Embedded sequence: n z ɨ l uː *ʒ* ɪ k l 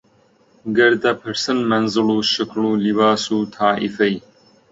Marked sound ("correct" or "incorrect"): incorrect